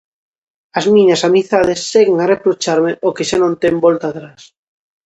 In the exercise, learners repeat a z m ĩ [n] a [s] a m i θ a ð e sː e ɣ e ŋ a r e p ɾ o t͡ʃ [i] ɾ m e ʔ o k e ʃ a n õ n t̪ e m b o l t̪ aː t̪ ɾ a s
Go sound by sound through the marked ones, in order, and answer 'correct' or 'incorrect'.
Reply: incorrect: ɲ, correct, incorrect: a

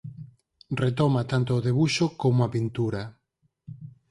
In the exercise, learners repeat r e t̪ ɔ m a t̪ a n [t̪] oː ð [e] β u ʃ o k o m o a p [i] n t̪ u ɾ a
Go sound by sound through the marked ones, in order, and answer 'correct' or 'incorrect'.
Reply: correct, correct, correct

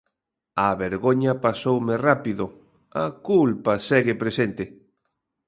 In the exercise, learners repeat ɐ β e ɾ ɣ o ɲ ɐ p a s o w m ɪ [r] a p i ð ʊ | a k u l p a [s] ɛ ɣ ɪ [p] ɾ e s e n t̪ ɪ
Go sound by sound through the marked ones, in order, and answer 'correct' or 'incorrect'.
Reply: correct, correct, correct

